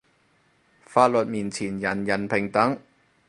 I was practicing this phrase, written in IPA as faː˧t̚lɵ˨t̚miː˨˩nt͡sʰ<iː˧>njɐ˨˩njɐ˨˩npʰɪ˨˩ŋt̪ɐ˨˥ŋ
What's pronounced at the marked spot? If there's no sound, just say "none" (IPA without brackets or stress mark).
iː˨˩